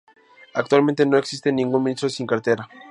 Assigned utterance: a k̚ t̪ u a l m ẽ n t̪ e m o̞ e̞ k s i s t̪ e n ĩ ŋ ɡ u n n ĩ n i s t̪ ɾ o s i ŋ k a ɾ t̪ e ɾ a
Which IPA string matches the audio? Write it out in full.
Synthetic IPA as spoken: a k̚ t̪ w a l m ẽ n t̪ e n o̞ e̞ k s i s t̪ e n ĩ ŋ ɡ u n m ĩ n i s t̪ ɾ o s i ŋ k a ɾ t̪ e ɾ a